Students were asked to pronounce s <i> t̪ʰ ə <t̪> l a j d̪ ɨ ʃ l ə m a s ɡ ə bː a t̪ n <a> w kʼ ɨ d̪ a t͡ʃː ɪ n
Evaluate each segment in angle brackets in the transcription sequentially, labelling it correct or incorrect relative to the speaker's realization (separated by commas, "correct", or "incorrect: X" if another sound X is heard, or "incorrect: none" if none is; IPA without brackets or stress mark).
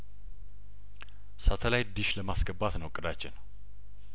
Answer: incorrect: a, incorrect: none, incorrect: ə